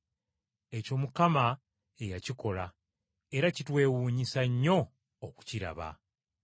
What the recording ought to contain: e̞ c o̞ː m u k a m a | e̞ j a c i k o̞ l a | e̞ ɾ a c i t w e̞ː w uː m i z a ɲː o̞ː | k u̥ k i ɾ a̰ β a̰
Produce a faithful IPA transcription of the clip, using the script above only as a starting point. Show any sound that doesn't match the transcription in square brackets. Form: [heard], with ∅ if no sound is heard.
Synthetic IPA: e̞ c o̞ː m u k a m a | e̞ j a c i k o̞ l a | e̞ ɾ a c i t w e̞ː w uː [ɲ] i [s] a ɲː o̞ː | k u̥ [c] i ɾ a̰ β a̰